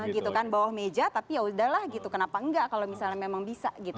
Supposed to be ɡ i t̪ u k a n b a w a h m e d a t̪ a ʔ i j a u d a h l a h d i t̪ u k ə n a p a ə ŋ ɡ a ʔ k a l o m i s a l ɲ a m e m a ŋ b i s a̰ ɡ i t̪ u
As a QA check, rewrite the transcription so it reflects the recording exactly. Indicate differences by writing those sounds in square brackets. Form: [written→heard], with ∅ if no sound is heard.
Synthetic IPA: ɡ i t̪ u k a n b a w a h m e [d→d͡ʒ] a t̪ a [ʔ→p] i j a u d a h l a h [d→ɡ] i t̪ u k ə n a p a ə ŋ ɡ a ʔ k a l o m i s a l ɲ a m e m a ŋ b i s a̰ ɡ i t̪ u

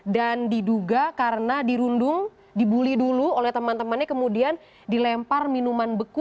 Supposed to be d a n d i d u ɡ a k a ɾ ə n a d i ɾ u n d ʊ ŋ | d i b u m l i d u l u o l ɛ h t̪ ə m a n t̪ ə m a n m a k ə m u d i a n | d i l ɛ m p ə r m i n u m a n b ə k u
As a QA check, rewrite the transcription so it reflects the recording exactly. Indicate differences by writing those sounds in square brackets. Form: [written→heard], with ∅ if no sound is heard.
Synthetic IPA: d a n d i d u ɡ a k a ɾ ə n a d i ɾ u n d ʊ ŋ | d i b u [m→∅] l i d u l u o l ɛ h t̪ ə m a n t̪ ə m a n [m→ɲ] a k ə m u d i a n | d i l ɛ m p [ə→a] r m i n u m a n b ə k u

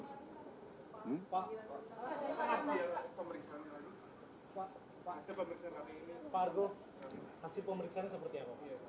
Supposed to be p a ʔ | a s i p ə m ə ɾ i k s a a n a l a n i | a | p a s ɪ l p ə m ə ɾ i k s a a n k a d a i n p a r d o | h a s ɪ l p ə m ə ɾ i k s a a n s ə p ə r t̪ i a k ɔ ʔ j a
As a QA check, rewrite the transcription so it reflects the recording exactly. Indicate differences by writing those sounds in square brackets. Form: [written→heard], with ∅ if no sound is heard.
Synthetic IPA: p a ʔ | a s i p ə m ə ɾ i k s a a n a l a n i | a | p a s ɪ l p ə m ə ɾ i k s a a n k a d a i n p a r [d→ɡ] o | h a s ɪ l p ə m ə ɾ i k s a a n s ə p ə r t̪ i a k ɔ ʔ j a

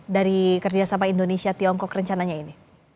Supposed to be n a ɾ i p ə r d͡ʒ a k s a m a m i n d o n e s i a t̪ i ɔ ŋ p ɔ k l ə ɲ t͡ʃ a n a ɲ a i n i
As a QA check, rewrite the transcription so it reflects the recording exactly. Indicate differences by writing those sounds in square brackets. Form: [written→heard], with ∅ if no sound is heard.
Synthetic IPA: [n→d] a ɾ i [p→k] ə r d͡ʒ a [k→∅] s a m a [m→∅] i n d o n e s i a t̪ i ɔ ŋ [p→k] ɔ k [l→r] ə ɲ t͡ʃ a n a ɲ a i n i

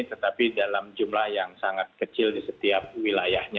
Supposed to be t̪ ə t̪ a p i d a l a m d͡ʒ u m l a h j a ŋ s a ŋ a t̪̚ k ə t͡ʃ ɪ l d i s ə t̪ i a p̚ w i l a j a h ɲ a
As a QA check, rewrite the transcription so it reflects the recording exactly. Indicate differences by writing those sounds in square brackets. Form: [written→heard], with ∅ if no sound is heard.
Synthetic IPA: t̪ ə t̪ a p i d a l a m d͡ʒ u m l a h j a ŋ s a ŋ a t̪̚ k ə t͡ʃ ɪ l d i s ə t̪ i a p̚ w i l a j a h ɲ a

